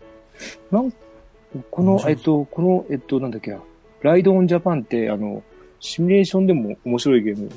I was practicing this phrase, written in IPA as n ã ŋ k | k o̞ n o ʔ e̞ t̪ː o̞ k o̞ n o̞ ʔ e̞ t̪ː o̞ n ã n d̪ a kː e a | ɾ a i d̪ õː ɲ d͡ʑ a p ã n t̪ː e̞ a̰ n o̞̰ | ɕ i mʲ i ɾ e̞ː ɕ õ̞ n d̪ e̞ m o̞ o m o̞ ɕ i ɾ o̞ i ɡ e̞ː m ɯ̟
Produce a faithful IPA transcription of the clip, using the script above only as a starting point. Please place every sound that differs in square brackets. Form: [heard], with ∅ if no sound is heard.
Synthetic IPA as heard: n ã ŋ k | k o̞ n o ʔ e̞ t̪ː o̞ k o̞ n o̞ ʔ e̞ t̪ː o̞ n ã n d̪ a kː e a | ɾ a i d̪ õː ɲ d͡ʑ a p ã n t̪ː e̞ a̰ n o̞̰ | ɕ i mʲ i ɾ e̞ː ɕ õ̞ n d̪ e̞ m o̞ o m o̞ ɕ i ɾ o̞ i ɡ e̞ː m ɯ̟